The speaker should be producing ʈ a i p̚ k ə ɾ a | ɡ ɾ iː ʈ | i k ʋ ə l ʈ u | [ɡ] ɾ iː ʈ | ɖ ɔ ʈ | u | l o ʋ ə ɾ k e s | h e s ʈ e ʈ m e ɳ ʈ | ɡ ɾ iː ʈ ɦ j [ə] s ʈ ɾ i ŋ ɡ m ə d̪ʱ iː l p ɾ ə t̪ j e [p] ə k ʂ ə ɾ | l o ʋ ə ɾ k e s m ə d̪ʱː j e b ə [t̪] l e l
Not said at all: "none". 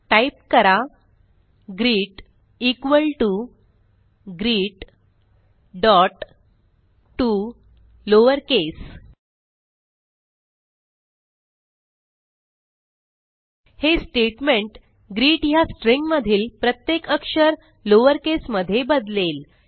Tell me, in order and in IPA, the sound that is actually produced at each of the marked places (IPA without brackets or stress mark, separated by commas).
ɡ, a, k, d̪